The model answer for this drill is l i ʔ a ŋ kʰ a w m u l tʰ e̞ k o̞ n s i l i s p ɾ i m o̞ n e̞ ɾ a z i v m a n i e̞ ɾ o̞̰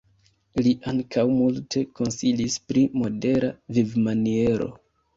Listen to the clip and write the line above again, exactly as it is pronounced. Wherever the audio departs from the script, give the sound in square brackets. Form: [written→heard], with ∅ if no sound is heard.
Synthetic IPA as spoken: l i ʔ a ŋ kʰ a w m u l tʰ e̞ k o̞ n s i l i s p ɾ i m o̞ [n→d] e̞ ɾ a [z→v] i v m a n i e̞ ɾ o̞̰